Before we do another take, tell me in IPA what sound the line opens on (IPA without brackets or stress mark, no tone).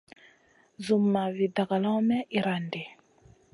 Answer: z